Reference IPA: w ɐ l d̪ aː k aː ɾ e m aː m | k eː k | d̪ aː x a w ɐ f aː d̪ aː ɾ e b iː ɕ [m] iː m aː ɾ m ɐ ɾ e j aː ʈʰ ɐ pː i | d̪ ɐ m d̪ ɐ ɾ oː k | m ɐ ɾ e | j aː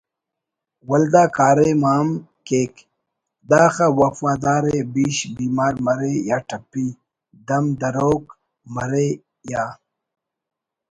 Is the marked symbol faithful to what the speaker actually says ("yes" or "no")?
no